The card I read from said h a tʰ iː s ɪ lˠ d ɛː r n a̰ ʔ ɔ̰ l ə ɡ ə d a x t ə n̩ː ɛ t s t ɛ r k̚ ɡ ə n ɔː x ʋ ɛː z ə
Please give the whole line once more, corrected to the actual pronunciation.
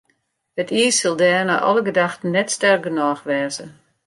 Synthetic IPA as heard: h ə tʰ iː s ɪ lˠ d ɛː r n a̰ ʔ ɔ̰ l ə ɡ ə d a x t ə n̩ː ɛ t s t ɛ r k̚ ɡ ə n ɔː x ʋ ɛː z ə